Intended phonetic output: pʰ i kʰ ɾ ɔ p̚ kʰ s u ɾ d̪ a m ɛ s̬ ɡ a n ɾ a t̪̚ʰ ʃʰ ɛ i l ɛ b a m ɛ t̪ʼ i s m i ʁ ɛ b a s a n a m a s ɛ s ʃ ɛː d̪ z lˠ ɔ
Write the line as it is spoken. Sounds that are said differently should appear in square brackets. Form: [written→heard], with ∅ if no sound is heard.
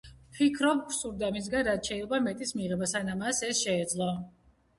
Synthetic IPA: pʰ i kʰ ɾ ɔ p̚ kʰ s u ɾ d̪ a m [ɛ→i] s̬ ɡ a n ɾ a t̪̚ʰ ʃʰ ɛ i l ɛ b a m ɛ t̪ʼ i s m i ʁ ɛ b a s a n a m a s ɛ s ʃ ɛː d̪ z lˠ ɔ